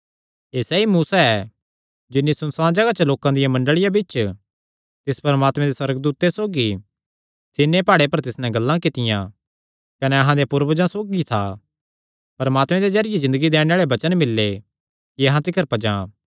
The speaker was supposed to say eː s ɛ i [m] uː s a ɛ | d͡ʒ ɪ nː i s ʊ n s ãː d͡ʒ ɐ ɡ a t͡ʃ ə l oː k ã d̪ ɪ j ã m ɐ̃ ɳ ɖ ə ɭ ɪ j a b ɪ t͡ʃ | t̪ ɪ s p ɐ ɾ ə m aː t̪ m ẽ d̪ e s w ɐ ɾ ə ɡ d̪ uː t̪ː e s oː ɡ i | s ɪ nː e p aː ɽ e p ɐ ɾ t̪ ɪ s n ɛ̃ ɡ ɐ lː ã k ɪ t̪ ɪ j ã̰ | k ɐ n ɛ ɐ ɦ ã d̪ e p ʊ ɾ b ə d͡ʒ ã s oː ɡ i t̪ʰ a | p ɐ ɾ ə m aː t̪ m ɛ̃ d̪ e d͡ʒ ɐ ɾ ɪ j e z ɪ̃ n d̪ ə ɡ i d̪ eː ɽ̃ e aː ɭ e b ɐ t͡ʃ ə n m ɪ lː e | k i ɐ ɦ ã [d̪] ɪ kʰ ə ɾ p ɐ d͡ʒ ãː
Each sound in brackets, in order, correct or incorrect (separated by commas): correct, incorrect